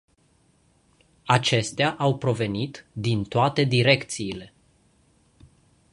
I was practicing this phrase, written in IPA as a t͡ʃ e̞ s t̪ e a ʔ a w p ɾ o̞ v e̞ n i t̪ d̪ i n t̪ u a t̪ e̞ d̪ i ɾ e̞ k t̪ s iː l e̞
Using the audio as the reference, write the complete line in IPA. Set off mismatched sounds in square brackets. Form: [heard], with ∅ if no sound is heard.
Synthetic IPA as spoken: a t͡ʃ e̞ s t̪ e a ʔ a w p ɾ o̞ v e̞ n i t̪ d̪ i n t̪ [o] a t̪ e̞ d̪ i ɾ e̞ k t̪ s iː l e̞